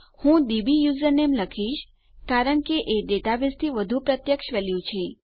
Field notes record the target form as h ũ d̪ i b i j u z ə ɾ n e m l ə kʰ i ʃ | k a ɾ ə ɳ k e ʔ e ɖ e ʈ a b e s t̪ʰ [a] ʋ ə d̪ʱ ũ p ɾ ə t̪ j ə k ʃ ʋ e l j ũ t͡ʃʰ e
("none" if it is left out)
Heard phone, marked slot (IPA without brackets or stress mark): i